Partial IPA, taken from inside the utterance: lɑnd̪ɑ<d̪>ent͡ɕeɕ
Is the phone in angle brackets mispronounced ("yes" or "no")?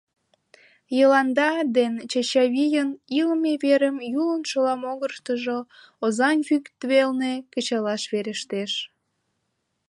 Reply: no